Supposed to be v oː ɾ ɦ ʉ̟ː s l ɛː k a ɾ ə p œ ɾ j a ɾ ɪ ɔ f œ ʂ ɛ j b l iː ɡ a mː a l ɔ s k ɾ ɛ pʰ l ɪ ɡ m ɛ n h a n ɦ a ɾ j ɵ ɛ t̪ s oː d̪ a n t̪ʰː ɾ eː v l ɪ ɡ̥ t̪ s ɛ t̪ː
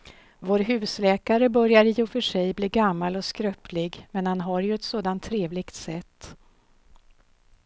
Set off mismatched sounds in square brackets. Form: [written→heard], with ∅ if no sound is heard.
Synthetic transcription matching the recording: v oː ɾ ɦ ʉ̟ː s l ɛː k a ɾ ə [p→b] œ ɾ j a ɾ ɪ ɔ f œ ʂ ɛ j b l iː ɡ a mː a l ɔ s k ɾ [ɛ→œ] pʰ l ɪ ɡ m ɛ n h a n ɦ a ɾ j ɵ ɛ t̪ s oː d̪ a n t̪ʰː ɾ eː v l ɪ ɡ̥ t̪ s ɛ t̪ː